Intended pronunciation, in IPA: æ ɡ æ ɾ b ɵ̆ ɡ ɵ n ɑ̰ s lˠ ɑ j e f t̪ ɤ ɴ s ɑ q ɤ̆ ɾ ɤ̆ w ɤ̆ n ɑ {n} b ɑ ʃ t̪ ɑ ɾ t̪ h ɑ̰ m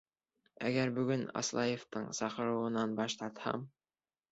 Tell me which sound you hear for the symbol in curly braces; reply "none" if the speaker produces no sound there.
n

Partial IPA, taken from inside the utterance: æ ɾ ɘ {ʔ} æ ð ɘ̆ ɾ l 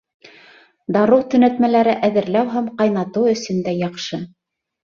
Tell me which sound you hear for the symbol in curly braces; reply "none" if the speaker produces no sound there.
ʔ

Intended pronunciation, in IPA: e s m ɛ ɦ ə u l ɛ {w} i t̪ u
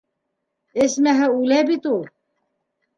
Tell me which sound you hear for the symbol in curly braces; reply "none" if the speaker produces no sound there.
b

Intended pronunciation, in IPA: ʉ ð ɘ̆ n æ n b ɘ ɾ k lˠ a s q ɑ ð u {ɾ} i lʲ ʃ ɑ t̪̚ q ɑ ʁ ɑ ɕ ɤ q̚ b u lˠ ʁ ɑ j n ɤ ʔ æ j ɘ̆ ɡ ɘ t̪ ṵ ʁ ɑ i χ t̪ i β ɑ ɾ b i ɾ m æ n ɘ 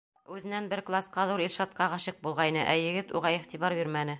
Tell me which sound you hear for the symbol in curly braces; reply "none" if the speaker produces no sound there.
ɾ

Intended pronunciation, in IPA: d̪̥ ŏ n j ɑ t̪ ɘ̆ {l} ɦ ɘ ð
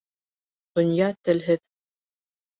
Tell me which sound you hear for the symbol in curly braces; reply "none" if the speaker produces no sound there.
l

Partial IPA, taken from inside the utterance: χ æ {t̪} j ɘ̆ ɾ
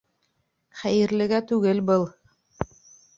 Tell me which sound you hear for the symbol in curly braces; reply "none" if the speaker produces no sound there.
none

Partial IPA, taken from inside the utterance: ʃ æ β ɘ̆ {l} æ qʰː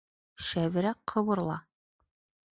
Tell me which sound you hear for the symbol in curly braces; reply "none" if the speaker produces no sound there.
ɾ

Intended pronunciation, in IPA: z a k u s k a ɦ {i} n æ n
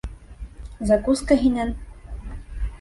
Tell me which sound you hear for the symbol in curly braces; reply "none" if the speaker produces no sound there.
i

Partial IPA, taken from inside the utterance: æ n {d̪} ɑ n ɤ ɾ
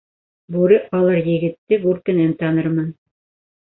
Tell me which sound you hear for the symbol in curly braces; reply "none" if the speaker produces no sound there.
t̪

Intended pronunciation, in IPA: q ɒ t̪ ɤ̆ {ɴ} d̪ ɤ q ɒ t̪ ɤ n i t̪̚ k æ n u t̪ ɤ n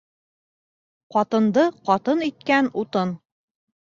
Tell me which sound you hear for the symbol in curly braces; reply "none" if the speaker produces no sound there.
n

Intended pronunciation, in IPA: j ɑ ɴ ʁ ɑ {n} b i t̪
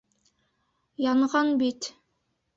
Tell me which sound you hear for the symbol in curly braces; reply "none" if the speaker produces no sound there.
n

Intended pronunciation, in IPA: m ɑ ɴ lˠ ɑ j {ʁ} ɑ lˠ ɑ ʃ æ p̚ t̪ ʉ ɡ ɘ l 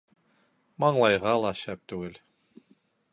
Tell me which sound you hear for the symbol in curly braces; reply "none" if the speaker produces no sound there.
ʁ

